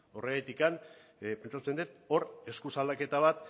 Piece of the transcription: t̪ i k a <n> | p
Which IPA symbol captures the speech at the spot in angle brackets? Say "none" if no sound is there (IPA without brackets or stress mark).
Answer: n